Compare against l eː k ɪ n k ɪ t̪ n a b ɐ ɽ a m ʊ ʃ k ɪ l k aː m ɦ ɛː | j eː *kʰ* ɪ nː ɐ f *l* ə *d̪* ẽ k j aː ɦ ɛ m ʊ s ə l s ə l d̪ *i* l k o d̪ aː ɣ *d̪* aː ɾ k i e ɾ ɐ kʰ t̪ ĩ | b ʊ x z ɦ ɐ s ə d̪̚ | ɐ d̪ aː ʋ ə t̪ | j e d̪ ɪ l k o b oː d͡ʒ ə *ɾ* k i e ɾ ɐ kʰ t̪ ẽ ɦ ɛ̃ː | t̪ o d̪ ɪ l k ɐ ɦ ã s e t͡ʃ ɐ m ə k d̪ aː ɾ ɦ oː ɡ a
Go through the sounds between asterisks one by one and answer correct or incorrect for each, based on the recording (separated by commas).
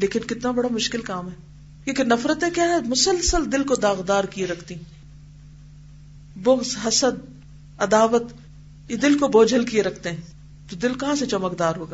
incorrect, incorrect, incorrect, incorrect, correct, incorrect